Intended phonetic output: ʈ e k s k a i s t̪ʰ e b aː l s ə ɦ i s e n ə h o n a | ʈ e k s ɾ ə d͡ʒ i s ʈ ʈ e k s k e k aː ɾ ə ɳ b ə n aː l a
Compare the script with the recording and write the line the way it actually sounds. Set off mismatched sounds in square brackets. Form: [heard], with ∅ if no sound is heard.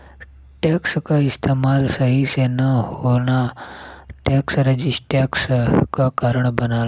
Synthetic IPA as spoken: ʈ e k s k a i s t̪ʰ e [m] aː l s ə ɦ i s e n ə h o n a | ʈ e k s ɾ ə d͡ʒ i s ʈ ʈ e k s k [a] k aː ɾ ə ɳ b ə n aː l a